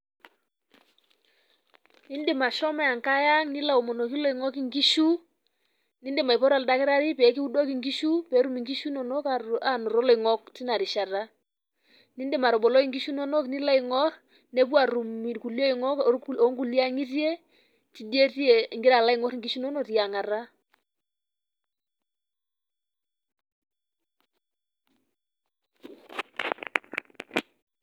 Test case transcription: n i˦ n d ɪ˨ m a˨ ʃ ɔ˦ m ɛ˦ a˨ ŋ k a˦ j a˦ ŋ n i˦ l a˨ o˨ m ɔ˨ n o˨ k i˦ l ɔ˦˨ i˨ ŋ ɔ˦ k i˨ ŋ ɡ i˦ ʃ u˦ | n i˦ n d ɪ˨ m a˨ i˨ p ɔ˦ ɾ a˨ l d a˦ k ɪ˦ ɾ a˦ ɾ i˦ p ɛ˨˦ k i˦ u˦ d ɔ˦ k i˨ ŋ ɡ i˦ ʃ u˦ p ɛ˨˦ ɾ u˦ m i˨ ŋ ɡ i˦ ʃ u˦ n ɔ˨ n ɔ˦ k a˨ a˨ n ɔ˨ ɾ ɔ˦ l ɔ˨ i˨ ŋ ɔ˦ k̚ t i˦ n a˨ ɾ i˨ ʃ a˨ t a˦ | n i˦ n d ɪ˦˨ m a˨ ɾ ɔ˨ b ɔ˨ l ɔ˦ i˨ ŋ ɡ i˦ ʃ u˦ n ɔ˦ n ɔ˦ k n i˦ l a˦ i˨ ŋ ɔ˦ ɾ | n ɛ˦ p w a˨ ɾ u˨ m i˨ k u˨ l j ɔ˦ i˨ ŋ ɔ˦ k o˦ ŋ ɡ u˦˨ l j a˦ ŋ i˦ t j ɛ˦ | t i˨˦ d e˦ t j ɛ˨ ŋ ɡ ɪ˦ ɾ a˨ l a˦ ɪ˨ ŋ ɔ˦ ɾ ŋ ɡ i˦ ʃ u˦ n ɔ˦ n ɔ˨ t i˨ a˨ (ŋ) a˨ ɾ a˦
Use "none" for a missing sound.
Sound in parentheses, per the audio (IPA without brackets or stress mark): ŋ